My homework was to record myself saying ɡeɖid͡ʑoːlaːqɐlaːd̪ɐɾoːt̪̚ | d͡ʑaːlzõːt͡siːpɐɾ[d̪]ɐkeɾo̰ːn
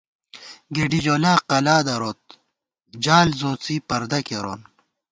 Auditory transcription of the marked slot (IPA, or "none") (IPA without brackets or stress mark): d̪